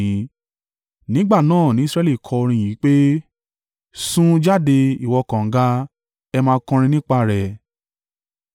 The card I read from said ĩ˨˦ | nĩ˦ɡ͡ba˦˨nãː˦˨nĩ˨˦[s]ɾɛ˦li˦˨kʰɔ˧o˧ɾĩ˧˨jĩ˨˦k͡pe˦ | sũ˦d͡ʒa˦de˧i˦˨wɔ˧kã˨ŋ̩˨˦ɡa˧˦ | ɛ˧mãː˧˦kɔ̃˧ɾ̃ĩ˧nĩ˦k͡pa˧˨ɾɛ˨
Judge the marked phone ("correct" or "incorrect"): correct